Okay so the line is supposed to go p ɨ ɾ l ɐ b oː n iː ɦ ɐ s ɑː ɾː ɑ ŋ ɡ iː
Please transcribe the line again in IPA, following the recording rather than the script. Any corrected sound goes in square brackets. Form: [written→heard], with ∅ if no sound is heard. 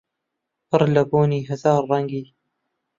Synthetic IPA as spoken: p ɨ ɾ l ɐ b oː n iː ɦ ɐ [s→z] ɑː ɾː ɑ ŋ ɡ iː